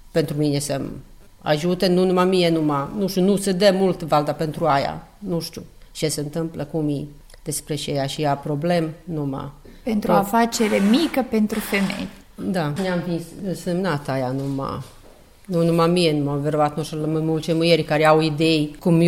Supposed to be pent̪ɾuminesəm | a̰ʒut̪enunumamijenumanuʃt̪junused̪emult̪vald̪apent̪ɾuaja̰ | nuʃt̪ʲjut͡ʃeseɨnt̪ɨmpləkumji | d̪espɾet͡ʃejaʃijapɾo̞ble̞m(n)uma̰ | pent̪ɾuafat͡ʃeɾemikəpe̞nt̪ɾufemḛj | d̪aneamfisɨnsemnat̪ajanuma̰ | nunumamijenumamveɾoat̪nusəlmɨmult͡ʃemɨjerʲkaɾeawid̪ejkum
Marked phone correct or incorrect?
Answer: correct